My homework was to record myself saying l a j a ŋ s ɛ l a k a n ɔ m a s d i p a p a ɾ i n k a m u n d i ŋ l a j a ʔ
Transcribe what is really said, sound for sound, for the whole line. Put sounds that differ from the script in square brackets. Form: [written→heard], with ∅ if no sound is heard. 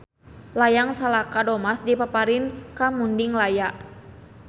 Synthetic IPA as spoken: l a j a ŋ s [ɛ→a] l a k a [n→d] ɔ m a s d i p a p a ɾ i n k a m u n d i ŋ l a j a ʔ